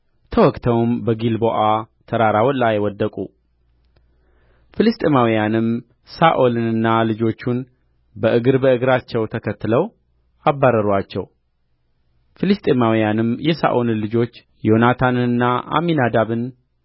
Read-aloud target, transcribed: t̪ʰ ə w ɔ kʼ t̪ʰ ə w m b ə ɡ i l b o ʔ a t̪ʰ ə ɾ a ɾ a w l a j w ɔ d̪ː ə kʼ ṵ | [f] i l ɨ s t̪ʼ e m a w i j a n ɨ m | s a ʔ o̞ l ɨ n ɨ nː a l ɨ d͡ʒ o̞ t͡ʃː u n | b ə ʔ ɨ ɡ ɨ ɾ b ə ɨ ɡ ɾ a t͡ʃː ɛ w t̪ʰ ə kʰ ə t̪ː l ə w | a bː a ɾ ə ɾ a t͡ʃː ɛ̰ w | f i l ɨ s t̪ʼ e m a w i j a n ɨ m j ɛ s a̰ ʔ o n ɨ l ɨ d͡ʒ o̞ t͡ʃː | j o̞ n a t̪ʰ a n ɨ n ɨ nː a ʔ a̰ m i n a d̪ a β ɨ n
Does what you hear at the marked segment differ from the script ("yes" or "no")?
no